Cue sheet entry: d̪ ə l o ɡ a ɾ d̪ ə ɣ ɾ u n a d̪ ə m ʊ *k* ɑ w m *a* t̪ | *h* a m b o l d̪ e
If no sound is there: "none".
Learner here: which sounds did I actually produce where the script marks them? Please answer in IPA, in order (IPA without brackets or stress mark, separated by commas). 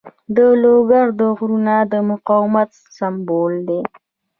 q, a, s